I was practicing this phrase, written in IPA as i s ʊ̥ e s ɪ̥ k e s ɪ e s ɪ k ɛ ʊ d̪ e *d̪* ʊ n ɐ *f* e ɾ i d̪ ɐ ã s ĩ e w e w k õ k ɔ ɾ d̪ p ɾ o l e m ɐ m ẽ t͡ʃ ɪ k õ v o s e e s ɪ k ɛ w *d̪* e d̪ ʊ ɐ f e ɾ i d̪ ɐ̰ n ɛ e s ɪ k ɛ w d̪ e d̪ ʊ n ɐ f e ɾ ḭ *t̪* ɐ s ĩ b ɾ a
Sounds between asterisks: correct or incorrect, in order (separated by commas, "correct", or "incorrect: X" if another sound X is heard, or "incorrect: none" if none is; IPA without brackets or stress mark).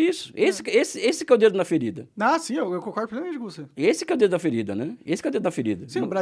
correct, correct, correct, incorrect: d̪